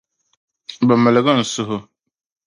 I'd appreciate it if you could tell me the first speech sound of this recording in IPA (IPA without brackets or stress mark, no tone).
b